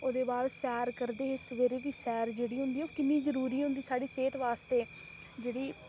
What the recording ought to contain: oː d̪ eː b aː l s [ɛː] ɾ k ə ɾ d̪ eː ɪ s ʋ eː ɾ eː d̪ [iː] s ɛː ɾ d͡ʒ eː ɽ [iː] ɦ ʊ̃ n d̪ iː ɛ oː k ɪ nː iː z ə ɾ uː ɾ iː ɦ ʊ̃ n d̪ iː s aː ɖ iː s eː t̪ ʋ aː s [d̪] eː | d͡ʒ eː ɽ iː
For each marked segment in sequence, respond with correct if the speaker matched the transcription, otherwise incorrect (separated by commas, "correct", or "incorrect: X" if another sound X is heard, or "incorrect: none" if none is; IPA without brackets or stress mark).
correct, correct, correct, incorrect: t̪